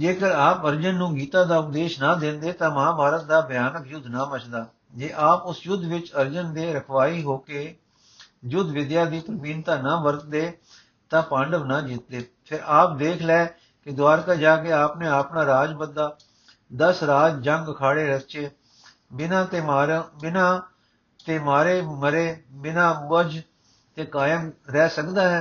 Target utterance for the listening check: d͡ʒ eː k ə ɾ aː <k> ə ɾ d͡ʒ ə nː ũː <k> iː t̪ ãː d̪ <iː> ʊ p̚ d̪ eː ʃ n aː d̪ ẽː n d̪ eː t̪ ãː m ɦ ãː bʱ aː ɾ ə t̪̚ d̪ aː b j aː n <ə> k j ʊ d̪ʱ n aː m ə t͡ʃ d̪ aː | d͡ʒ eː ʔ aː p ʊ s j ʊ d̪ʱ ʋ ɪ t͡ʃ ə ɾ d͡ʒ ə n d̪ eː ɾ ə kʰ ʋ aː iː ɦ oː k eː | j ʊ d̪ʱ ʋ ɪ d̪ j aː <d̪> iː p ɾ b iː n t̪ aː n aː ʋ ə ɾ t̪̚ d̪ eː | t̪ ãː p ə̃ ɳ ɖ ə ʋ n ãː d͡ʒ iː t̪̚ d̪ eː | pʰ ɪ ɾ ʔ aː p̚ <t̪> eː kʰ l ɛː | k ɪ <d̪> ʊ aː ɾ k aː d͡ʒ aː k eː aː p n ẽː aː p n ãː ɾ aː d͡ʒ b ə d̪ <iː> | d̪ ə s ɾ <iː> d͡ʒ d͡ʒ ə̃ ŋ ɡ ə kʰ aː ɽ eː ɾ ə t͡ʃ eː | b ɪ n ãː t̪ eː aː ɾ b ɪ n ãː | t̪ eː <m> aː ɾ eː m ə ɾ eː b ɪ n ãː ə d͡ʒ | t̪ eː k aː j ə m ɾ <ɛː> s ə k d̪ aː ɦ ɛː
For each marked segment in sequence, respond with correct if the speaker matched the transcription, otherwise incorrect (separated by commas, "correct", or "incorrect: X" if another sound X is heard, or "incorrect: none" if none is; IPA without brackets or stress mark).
incorrect: p, incorrect: ɡ, incorrect: aː, correct, correct, incorrect: d̪, correct, incorrect: aː, incorrect: aː, correct, correct